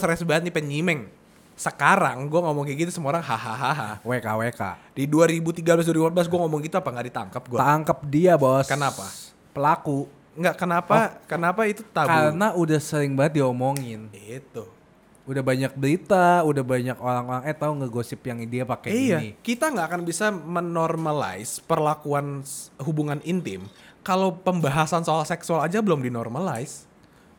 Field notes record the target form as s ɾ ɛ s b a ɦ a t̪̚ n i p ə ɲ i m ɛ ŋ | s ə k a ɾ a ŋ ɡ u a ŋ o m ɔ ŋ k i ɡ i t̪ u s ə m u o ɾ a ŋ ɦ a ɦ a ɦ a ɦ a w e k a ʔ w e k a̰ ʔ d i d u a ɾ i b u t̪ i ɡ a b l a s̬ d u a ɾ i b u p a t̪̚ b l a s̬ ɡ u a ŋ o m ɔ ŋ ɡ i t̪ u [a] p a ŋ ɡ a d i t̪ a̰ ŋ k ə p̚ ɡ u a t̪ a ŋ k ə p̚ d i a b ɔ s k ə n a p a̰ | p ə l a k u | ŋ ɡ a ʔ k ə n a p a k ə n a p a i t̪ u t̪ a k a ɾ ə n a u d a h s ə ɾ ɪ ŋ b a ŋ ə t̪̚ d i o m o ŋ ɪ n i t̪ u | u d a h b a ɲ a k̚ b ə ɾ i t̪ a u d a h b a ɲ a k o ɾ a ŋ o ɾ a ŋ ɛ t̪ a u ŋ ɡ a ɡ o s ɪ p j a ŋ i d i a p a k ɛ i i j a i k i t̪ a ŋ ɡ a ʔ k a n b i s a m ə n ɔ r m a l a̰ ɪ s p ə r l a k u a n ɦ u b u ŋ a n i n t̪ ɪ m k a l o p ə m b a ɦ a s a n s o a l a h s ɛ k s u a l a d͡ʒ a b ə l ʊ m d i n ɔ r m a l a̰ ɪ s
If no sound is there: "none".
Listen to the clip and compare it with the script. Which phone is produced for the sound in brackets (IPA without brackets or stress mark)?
a